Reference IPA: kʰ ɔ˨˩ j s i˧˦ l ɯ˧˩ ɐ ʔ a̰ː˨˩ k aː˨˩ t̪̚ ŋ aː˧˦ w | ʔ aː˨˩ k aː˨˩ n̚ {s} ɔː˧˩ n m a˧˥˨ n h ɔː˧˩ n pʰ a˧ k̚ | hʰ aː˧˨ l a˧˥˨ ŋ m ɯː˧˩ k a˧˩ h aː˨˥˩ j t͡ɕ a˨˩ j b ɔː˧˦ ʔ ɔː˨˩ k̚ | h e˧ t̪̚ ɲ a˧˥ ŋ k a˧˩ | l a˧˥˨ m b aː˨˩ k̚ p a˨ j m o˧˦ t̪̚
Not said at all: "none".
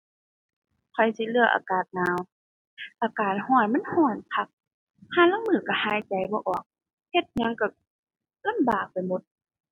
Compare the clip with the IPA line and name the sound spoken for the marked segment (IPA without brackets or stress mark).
h